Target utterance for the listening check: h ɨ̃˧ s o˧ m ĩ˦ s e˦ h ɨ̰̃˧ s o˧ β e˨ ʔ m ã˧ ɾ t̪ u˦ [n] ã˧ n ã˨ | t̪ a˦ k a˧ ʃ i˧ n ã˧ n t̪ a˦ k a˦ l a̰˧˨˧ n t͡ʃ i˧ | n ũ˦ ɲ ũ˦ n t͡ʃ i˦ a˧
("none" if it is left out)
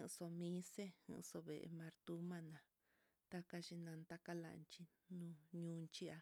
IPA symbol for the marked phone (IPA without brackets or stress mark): m